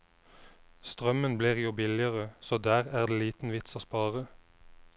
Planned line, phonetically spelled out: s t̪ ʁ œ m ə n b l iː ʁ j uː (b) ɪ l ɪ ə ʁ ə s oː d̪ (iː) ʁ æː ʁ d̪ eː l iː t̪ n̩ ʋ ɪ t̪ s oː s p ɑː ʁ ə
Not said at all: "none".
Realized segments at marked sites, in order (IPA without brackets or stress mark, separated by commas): b, æː